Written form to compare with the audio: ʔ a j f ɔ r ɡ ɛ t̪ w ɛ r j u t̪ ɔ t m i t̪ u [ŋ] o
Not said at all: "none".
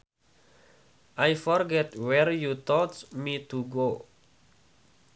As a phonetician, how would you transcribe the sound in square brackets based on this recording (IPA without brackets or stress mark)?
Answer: ɡ